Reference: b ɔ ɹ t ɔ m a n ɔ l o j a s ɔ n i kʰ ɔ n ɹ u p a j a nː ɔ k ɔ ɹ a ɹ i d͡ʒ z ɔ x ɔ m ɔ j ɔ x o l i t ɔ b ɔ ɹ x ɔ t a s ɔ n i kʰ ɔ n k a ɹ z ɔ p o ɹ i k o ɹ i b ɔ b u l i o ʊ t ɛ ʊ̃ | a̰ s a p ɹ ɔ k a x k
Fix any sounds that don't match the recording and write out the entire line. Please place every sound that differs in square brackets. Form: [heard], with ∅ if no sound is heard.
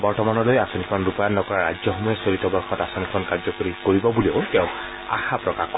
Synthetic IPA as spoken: b ɔ ɹ t ɔ m a n ɔ l o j a s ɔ n i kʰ ɔ n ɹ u p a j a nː ɔ k ɔ ɹ a ɹ [a] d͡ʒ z ɔ x ɔ m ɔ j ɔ [s] o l i t ɔ b ɔ ɹ x ɔ t a s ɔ n i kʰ ɔ n k a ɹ z ɔ [k] o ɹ i k o ɹ i b ɔ b u l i o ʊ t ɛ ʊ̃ | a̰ [x] a p ɹ ɔ k a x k